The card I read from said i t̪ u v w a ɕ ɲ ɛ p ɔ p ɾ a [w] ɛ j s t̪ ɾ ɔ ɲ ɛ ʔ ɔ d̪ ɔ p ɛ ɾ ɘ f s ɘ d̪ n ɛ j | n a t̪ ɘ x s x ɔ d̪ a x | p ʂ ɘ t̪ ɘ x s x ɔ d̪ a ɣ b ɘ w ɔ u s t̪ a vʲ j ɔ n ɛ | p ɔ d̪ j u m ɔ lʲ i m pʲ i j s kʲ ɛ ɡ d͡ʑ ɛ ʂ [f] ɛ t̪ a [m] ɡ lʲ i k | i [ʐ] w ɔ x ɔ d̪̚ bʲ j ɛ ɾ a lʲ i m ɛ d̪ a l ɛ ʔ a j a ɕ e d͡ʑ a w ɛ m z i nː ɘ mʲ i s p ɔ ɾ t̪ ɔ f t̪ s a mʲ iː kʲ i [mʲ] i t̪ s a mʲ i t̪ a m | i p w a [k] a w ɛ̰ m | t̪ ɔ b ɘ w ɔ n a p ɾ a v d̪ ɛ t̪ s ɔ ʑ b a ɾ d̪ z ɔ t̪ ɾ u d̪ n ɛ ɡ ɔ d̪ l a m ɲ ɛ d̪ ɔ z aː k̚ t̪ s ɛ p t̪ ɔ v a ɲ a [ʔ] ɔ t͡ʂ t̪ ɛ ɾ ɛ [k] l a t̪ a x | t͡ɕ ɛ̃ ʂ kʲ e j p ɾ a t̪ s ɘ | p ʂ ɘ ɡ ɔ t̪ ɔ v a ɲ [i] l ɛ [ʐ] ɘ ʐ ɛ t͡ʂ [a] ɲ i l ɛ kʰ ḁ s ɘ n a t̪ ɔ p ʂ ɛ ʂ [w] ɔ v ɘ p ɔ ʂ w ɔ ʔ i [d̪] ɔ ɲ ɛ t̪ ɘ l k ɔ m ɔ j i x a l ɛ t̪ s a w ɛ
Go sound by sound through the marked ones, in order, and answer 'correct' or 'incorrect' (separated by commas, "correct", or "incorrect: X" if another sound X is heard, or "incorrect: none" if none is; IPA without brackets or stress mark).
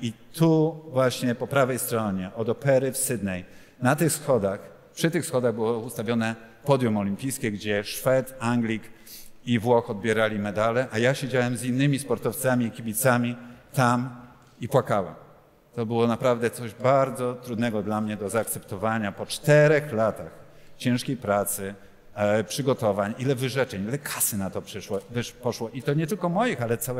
incorrect: v, correct, incorrect: ŋ, incorrect: v, incorrect: bʲ, correct, incorrect: p, incorrect: x, correct, incorrect: v, incorrect: ɛ, correct, incorrect: t̪